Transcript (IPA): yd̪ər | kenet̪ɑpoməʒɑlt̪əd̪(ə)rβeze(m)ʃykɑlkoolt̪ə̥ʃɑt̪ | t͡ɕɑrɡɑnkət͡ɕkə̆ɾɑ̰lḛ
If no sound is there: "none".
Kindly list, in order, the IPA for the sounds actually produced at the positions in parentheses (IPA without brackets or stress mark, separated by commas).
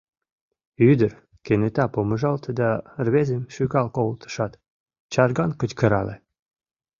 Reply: ɑ, m